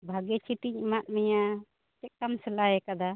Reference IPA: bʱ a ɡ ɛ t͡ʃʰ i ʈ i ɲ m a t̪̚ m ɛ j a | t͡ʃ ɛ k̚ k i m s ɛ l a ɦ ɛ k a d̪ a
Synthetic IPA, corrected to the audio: bʱ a ɡ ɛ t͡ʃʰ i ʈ i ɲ m a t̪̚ m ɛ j a | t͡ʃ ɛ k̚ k a m s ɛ l a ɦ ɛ k a d̪ a